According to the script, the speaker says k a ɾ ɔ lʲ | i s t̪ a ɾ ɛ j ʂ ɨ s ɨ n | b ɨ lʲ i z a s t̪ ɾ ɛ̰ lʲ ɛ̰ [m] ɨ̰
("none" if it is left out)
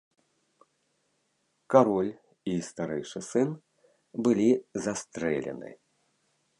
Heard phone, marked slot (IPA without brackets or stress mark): n